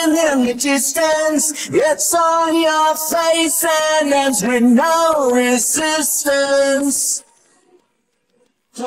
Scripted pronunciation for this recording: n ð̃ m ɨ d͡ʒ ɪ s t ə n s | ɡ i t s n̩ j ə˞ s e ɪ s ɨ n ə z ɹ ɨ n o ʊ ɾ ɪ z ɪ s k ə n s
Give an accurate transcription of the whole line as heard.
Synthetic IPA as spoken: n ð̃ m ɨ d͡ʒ ɪ s t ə n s | ɡ ɛ t s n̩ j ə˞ f e ɪ s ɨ n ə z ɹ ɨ n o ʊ ɹ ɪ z ɪ s t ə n s